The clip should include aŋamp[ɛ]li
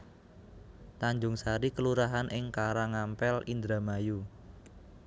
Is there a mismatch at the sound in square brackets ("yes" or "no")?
no